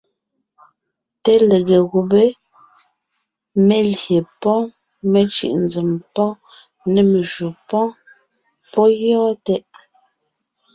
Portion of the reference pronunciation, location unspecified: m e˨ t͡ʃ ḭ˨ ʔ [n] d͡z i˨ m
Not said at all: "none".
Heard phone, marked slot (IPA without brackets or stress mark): n